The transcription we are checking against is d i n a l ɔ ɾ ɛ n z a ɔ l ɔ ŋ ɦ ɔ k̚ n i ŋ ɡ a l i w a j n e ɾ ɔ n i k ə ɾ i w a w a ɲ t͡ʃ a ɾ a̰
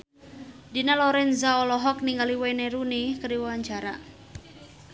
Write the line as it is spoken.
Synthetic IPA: d i n a l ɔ ɾ ɛ n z a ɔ l ɔ ɦ ɔ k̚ n i ŋ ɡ a l i w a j n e ɾ u n i k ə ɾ i w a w a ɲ t͡ʃ a ɾ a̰